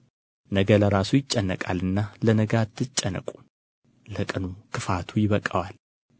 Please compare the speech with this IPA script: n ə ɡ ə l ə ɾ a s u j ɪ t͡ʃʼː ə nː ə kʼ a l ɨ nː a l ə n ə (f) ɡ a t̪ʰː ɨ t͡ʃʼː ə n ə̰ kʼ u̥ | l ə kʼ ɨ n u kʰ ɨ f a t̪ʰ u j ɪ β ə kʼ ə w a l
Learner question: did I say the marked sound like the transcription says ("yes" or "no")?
no